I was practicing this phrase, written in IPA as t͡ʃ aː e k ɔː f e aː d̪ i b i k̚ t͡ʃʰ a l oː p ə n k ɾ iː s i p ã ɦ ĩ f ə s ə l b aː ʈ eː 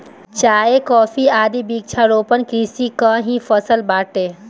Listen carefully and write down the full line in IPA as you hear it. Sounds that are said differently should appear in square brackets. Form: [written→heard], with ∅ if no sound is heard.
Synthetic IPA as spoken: t͡ʃ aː e k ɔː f [e→i] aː d̪ i b i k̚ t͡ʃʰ a [l→ɾ] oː p ə n k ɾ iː s i [p→k] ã ɦ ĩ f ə s ə l b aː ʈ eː